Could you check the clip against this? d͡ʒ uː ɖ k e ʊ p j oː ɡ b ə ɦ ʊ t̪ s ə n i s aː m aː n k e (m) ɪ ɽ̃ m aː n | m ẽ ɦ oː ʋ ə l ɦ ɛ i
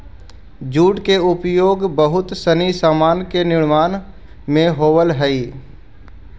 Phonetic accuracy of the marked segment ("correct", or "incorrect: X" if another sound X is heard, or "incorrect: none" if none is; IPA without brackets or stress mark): incorrect: n